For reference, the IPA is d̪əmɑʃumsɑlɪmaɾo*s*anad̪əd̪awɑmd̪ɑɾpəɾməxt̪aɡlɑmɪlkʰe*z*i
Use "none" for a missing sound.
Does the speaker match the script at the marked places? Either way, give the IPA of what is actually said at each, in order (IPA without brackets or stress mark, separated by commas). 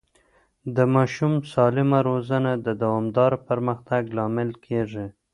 z, ʐ